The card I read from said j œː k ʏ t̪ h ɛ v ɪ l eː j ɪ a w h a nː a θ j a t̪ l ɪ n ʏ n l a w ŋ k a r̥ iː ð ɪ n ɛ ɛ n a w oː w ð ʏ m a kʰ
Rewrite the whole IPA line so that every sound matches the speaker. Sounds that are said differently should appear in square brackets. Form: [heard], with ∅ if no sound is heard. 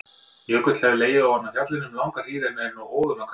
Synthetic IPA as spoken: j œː k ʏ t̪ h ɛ v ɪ l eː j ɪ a w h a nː a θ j a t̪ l ɪ n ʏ [m] l a w ŋ k a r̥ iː ð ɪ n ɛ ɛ n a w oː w ð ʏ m a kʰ